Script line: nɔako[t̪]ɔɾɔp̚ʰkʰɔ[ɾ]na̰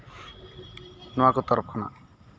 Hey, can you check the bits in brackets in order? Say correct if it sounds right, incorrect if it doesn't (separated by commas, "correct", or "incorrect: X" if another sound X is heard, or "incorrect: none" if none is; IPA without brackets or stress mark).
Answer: correct, incorrect: none